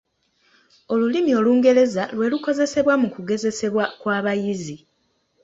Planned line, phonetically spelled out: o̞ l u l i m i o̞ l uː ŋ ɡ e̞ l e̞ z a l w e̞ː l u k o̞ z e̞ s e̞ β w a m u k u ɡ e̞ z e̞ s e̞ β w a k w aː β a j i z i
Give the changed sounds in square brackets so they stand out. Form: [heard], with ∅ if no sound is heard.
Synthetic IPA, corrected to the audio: o̞ l u l i m i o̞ l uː ŋ ɡ e̞ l e̞ z a l w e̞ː l u k o̞ z e̞ s e̞ β w a m u k u ɡ e̞ z e̞ s e̞ β w a k w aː β a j i z i